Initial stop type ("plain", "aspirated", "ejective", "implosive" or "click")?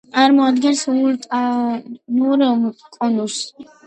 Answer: plain